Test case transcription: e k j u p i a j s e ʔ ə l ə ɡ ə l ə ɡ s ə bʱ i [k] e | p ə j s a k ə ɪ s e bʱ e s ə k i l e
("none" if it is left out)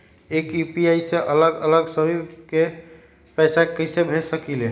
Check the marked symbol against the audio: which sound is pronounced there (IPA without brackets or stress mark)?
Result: k